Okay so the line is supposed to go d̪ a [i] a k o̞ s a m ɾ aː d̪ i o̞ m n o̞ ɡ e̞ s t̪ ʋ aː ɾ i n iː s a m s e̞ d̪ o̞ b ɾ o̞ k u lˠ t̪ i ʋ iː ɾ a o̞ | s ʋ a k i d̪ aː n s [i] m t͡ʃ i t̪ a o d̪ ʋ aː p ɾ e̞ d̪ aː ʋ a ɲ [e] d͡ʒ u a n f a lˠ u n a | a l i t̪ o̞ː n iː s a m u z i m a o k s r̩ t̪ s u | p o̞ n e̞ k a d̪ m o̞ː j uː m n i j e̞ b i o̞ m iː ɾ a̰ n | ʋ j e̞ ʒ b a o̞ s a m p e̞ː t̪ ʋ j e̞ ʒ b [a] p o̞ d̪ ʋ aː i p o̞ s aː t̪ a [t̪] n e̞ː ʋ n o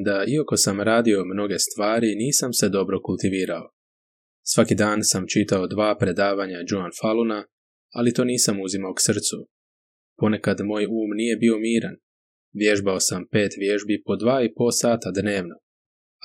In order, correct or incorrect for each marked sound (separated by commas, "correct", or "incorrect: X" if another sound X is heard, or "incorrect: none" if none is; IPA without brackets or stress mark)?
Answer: correct, incorrect: a, incorrect: a, incorrect: i, incorrect: d̪